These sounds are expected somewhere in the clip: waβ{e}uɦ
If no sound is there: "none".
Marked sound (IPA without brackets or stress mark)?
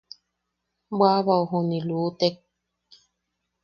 a